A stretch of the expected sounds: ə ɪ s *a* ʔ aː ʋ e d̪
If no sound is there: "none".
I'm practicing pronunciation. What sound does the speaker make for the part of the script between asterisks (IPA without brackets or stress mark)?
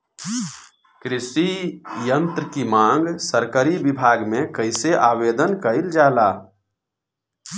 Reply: e